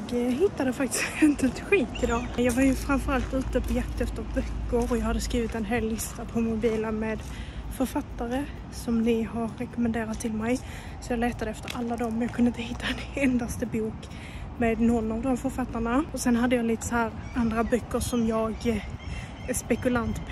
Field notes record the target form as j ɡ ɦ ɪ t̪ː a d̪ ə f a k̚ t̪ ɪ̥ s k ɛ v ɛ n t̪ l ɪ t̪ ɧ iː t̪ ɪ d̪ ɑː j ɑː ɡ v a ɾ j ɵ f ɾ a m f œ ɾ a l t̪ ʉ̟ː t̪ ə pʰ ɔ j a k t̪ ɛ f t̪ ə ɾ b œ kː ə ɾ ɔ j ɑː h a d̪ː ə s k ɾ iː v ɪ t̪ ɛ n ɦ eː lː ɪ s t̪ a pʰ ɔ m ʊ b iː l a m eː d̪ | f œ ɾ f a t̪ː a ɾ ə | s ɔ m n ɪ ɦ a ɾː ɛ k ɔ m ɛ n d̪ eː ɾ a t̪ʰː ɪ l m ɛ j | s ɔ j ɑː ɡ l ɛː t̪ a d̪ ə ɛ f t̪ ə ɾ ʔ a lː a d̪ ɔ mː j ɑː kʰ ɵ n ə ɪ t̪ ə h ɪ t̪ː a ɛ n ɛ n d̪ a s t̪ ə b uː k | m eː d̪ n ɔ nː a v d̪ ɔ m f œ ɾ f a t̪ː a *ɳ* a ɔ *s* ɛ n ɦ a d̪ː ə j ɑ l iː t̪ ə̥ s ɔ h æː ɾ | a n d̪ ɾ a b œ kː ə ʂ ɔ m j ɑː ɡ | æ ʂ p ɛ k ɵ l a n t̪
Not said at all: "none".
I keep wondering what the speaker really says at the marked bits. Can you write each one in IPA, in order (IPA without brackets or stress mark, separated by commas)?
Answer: ɳ, s